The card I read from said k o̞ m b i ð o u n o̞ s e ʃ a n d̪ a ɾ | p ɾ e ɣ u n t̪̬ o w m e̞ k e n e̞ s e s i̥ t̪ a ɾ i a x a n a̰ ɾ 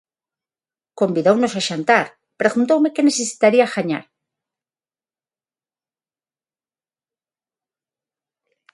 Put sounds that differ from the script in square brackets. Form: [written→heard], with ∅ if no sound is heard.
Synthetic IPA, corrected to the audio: k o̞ m b i ð o [u→w] n o̞ s [e→a] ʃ a n [d̪→t̪] a ɾ | p ɾ e ɣ u n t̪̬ o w m e̞ k e n e̞ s e s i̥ t̪ a ɾ i a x a [n→ɲ] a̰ ɾ

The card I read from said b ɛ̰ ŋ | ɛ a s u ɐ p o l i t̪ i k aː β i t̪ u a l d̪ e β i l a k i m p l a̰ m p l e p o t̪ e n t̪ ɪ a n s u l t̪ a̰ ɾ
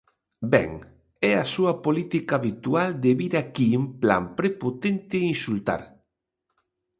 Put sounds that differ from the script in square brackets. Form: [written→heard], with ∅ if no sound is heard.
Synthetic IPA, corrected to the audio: b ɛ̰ ŋ | ɛ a s u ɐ p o l i t̪ i k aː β i t̪ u a l d̪ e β i [l→ɾ] a k i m p l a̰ m p [l→ɾ] e p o t̪ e n t̪ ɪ [a→i] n s u l t̪ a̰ ɾ

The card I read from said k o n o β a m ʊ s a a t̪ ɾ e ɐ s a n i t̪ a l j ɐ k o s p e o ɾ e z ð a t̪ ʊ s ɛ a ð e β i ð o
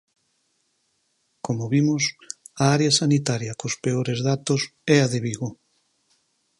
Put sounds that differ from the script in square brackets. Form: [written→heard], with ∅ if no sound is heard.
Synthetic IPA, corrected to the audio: k o [n→m] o β [a→i] m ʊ s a a [t̪→∅] ɾ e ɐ s a n i t̪ a [l→ɾ] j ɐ k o s p e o ɾ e z ð a t̪ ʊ s ɛ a ð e β i [ð→ɣ] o

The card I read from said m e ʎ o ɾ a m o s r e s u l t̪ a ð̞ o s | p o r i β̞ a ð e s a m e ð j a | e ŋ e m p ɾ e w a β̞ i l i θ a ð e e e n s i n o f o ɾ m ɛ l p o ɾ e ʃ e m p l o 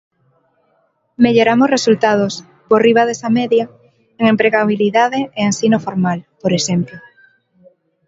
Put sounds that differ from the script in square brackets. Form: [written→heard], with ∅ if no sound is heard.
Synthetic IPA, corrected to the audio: m e ʎ o ɾ a m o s r e s u l t̪ a ð̞ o s | p o r i β̞ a ð e s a m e ð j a | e ŋ e m p ɾ e [w→ɣ] a β̞ i l i [θ→ð] a ð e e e n s i n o f o ɾ m [ɛ→a] l p o ɾ e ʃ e m p l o

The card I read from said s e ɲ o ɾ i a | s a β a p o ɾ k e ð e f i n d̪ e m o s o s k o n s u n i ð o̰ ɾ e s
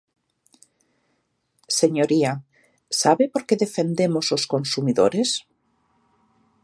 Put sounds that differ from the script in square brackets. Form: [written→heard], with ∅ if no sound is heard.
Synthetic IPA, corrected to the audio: s e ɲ o ɾ i a | s a β [a→e] p o ɾ k e ð e f [i→e] n d̪ e m o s o s k o n s u [n→m] i ð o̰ ɾ e s

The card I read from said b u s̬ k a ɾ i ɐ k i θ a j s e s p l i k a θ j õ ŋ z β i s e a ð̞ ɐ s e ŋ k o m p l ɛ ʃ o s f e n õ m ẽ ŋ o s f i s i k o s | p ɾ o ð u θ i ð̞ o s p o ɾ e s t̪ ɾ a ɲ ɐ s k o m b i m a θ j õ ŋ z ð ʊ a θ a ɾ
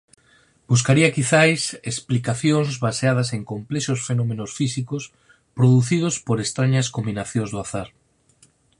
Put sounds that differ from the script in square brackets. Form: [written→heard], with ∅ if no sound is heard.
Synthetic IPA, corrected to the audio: b u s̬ k a ɾ i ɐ k i θ a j s e s p l i k a θ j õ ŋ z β [i→a] s e a ð̞ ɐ s e ŋ k o m p l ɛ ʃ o s f e n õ m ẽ [ŋ→n] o s f i s i k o s | p ɾ o ð u θ i ð̞ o s p o ɾ e s t̪ ɾ a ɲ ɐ s k o m b i [m→n] a θ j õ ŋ z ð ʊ a θ a ɾ

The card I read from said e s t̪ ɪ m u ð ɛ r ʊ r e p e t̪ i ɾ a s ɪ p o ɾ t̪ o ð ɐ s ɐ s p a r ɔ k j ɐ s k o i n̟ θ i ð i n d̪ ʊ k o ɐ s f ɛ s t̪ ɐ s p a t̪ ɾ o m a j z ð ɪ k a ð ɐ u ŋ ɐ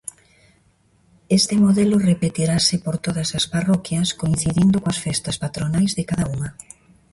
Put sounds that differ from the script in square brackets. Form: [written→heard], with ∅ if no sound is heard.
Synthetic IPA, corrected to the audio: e s t̪ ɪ m [u→o] ð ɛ [r→l] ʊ r e p e t̪ i ɾ a s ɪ p o ɾ t̪ o ð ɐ s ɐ s p a r ɔ k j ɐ s k o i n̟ θ i ð i n d̪ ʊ k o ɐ s f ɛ s t̪ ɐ s p a t̪ ɾ o [m→n] a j z ð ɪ k a ð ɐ u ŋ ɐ

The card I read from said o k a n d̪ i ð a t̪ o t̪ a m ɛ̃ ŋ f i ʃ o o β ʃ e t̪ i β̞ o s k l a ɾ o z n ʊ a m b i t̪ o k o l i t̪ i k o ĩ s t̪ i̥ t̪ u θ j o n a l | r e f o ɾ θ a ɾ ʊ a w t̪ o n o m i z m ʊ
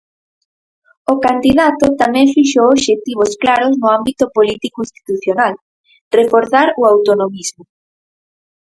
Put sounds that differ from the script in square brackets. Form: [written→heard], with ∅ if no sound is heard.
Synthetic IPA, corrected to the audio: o k a n d̪ i ð a t̪ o t̪ a m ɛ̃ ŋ f i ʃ o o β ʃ e t̪ i β̞ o s k l a ɾ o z n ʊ a m b i t̪ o [k→p] o l i t̪ i k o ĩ s t̪ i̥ t̪ u θ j o n a l | r e f o ɾ θ a ɾ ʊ a w t̪ o n o m i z m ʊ

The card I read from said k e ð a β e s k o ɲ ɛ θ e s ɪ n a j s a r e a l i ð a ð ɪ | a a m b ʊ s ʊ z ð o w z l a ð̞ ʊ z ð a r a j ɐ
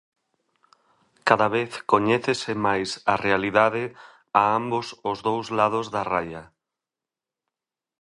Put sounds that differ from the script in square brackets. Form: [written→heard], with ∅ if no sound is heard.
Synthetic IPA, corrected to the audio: k [e→a] ð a β e [s→θ] k o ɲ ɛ θ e s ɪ [n→m] a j s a r e a l i ð a ð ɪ | a a m b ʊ s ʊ z ð o w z l a ð̞ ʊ z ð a r a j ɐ

